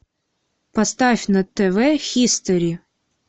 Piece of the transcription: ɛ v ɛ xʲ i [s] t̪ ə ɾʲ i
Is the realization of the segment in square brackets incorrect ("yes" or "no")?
no